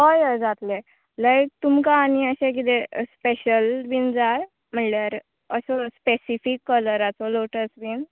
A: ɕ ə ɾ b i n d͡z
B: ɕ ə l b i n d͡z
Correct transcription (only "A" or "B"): B